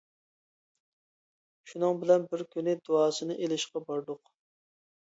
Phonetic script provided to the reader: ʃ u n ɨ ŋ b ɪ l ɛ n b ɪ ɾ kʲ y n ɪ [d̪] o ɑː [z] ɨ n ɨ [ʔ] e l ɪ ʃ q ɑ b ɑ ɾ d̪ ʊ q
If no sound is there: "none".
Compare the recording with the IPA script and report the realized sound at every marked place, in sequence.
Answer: d̪, s, ʔ

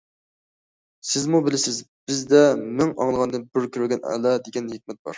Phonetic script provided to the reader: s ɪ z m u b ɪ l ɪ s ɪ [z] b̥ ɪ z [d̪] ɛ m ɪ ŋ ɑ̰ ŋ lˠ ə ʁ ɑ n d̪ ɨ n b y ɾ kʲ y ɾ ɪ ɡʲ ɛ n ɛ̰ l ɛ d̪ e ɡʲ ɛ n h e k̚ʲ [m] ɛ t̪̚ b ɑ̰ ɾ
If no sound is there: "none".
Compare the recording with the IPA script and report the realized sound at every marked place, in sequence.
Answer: z, d̪, m

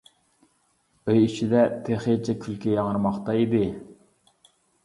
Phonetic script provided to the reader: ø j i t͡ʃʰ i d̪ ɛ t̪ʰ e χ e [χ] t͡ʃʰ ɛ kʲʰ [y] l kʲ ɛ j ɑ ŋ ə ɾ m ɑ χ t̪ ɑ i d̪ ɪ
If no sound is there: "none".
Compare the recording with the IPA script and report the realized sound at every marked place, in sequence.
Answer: none, y

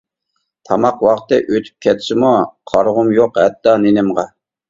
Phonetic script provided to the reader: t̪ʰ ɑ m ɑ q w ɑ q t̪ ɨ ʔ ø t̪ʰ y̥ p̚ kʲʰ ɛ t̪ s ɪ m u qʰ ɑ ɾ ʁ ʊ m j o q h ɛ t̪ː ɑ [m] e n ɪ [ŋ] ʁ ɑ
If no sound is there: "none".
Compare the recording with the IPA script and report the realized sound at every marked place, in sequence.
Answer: n, m

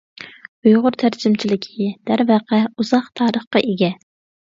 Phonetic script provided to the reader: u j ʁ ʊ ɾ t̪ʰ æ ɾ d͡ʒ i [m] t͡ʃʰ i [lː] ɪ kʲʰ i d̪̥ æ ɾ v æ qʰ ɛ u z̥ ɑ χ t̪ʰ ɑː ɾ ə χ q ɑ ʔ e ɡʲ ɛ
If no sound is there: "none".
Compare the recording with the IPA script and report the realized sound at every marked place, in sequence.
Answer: m, l

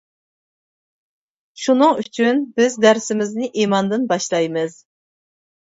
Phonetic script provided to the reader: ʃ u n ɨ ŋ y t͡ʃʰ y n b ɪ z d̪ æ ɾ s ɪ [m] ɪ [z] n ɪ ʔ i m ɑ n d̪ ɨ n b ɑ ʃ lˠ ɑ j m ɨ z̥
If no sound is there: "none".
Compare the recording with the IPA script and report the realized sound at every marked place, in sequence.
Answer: m, z

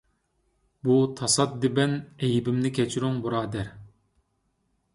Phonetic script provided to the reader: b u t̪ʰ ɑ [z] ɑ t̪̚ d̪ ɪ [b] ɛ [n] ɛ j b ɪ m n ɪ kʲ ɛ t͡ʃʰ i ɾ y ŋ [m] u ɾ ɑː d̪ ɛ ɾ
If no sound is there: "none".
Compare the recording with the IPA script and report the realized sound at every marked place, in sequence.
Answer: s, b, n, b

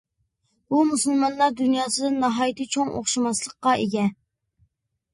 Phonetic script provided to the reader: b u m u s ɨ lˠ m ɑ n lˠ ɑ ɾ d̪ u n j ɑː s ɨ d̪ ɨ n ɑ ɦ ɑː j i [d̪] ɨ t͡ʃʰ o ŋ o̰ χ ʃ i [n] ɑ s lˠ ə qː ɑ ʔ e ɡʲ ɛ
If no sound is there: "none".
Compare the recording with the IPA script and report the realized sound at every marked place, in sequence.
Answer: t̪, m

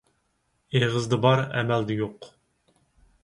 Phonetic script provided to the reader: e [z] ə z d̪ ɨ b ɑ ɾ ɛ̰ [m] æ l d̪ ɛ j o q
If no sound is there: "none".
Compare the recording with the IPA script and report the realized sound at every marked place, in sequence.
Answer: ʁ, m

